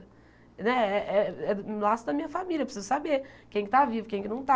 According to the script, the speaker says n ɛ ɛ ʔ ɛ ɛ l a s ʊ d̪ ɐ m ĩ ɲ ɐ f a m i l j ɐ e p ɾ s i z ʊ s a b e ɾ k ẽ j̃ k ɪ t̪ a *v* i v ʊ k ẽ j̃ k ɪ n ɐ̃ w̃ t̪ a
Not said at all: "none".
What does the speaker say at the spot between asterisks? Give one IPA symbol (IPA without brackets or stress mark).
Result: v